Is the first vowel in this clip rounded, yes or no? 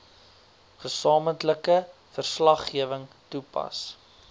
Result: no